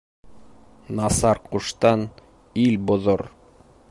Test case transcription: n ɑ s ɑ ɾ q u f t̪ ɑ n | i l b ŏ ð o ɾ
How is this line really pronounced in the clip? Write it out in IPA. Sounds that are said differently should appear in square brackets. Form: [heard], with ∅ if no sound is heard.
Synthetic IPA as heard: n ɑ s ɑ ɾ q u [ʃ] t̪ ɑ n | i l b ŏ ð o ɾ

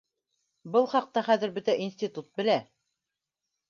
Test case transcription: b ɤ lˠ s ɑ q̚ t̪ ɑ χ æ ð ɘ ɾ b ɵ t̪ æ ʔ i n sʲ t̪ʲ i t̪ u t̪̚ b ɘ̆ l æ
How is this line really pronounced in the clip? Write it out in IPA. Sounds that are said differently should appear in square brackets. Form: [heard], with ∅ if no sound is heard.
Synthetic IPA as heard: b ɤ lˠ [χ] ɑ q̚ t̪ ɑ χ æ ð ɘ ɾ b ɵ t̪ æ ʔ i n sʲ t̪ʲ i t̪ u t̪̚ b ɘ̆ l æ

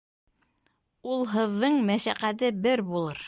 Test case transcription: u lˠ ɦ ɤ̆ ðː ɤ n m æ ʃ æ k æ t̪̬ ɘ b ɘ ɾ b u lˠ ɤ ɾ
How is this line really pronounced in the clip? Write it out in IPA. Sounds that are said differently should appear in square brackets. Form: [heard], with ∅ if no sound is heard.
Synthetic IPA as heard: u lˠ ɦ ɤ̆ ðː ɤ [ɴ] m æ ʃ æ [q] æ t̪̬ ɘ b ɘ ɾ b u lˠ ɤ ɾ

